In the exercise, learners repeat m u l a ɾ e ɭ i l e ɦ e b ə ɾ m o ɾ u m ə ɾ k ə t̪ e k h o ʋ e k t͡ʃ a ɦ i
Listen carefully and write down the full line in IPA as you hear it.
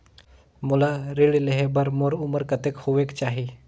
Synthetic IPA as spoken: m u l a ɾ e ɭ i l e ɦ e b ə ɾ m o ɾ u m ə ɾ k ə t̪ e k h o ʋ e k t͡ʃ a ɦ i

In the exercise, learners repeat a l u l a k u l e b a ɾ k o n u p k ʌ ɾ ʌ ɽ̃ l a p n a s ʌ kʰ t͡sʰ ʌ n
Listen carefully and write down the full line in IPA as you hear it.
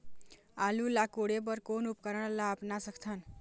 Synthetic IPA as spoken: a l u l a k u ɽ e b ʌ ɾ k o n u p k ʌ ɾ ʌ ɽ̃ l a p n a s ʌ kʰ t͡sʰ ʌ n

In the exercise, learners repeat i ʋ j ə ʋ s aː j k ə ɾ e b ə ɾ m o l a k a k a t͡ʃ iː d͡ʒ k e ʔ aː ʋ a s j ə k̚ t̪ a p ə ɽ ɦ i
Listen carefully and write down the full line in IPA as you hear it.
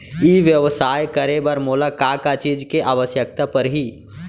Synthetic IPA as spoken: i ʋ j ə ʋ s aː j k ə ɾ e b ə ɾ m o l a k a k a t͡ʃ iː d͡ʒ k e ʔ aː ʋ ə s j ə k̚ t̪ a p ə ɾ ɦ i

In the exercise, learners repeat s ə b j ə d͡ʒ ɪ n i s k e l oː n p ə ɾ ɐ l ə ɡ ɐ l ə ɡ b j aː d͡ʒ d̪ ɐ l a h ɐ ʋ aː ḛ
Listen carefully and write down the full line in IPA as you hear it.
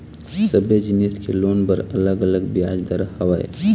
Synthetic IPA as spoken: s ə b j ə d͡ʒ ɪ n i s k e l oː n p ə ɾ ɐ l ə ɡ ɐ l ə ɡ b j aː d͡ʒ d̪ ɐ ɾ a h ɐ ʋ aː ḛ

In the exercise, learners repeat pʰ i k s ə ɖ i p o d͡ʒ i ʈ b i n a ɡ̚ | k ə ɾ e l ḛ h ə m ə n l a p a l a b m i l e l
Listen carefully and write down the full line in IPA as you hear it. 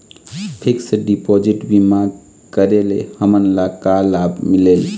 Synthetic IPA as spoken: pʰ i k s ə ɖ i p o d͡ʒ i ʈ b i m a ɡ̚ | k ə ɾ e l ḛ h ə m ə n l a k a l a b m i l e l

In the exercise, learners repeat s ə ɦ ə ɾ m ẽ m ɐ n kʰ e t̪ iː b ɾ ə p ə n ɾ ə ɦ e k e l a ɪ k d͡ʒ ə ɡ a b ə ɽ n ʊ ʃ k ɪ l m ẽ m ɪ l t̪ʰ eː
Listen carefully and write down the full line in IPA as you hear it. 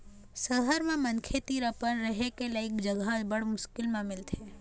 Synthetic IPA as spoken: s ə ɦ ə ɾ m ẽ m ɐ n kʰ e t̪ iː ɾ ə p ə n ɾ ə ɦ e k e l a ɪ k d͡ʒ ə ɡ a b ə ɽ m ʊ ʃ k ɪ l m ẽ m ɪ l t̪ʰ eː

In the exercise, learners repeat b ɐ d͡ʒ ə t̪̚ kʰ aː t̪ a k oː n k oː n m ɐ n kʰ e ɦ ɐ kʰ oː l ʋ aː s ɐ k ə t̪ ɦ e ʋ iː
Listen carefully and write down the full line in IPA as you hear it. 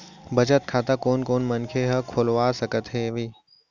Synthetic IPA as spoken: b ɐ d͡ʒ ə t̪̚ kʰ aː t̪ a k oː n k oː n m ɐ n kʰ e ɦ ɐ kʰ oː l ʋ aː s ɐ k ə t̪ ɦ e ʋ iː

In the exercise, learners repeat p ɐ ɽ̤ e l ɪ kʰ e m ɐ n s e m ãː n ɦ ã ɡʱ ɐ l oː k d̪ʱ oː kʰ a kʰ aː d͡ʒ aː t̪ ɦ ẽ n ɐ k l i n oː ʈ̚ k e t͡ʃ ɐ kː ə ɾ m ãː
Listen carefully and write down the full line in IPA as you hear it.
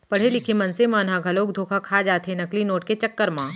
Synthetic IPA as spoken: p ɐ ɽ̤ e l ɪ kʰ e m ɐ n s e m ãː n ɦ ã ɡʱ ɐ l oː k d̪ʱ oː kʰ a kʰ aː d͡ʒ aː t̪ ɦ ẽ n ɐ k l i n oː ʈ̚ k e t͡ʃ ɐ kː ə ɾ m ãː

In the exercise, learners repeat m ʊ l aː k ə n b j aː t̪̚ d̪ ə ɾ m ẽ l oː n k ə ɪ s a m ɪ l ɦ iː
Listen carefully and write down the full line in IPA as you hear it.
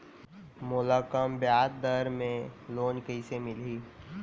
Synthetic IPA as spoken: m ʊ l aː k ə m b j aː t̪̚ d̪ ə ɾ m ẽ l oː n k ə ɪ s e m ɪ l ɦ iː

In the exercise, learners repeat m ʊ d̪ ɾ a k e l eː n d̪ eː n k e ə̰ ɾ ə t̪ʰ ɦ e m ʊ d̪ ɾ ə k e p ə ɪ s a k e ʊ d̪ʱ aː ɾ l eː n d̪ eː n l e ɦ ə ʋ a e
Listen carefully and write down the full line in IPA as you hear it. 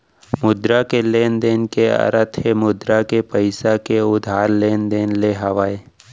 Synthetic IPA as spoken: m ʊ d̪ ɾ a k e l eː n d̪ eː n k e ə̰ ɾ ə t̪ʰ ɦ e m ʊ d̪ ɾ a k e p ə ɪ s a k e ʊ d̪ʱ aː ɾ l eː n d̪ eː n l e ɦ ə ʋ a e

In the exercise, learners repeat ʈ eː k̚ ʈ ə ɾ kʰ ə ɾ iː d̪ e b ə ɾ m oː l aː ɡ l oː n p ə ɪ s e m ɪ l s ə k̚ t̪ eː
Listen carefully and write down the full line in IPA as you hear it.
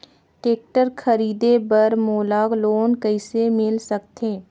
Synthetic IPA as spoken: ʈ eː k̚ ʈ ə ɾ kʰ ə ɾ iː d̪ e b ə ɾ m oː l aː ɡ l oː n k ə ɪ s e m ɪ l s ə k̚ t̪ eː

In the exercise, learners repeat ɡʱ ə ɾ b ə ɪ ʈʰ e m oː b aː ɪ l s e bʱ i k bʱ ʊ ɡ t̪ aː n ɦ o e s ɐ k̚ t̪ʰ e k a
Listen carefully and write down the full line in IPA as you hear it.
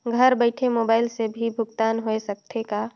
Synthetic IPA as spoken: ɡʱ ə ɾ b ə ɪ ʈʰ e m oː b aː ɪ l s e bʱ i bʱ ʊ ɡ t̪ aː n ɦ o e s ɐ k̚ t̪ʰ e k a

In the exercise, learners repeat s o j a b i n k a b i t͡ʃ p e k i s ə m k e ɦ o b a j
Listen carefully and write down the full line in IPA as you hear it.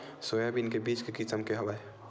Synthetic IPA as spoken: s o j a b i n k e b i t͡ʃ k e k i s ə m k e ɦ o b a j

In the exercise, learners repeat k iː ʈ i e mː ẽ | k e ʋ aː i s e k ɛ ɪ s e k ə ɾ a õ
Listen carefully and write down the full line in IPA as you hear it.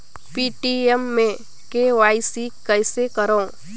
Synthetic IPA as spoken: p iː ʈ i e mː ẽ | k e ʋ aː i s i k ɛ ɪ s e k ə ɾ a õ

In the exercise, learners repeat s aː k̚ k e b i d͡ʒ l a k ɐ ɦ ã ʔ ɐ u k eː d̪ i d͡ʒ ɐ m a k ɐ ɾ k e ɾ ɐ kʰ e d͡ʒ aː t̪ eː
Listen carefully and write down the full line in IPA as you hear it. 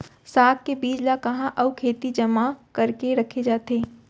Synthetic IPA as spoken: s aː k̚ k e b iː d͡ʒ l a k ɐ ɦ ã ʔ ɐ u kʰ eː t̪ i d͡ʒ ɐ m a k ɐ ɾ k e ɾ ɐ kʰ e d͡ʒ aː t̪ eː

